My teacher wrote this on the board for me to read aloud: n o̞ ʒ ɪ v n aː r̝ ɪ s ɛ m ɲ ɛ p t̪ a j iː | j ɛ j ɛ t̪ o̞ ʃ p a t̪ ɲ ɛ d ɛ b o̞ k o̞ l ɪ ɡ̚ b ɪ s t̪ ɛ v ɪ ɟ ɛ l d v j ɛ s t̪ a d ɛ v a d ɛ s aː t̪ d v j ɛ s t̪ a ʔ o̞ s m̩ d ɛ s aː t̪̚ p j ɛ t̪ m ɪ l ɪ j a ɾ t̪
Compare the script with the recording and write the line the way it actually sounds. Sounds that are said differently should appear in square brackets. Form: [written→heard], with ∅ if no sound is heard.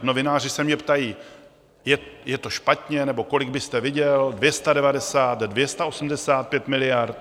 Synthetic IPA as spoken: n o̞ [ʒ→v] ɪ [v→∅] n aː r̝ ɪ s ɛ m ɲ ɛ p t̪ a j iː | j ɛ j ɛ t̪ o̞ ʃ p a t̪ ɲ ɛ [d→n] ɛ b o̞ k o̞ l ɪ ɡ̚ b ɪ s t̪ ɛ v ɪ ɟ ɛ l d v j ɛ s t̪ a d ɛ v a d ɛ s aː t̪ d v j ɛ s t̪ a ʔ o̞ s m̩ d ɛ s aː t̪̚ p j ɛ t̪ m ɪ l ɪ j a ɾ t̪